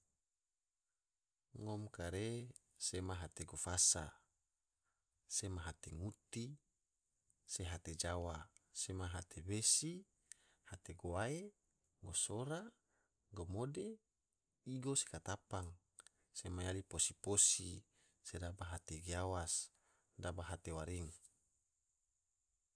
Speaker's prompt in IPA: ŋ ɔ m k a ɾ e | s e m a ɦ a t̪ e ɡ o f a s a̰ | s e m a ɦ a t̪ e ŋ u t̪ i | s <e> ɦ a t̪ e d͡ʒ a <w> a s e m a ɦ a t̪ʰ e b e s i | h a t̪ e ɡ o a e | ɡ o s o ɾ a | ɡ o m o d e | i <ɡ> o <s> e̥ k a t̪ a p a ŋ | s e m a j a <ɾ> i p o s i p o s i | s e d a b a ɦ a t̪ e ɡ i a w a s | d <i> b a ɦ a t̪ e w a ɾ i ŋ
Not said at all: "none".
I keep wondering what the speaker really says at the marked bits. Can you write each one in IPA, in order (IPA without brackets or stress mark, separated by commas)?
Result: e, w, ɡ, s, l, a